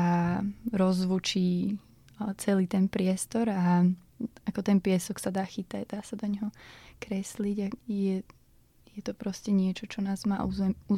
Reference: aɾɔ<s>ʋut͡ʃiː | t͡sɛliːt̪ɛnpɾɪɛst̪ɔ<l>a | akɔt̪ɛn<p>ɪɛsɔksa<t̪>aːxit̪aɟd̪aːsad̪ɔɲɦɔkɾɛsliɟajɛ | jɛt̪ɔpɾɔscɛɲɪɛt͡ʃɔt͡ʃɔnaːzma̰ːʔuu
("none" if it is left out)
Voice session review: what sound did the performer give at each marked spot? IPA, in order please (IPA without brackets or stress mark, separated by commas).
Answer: z, ɾ, p, d̪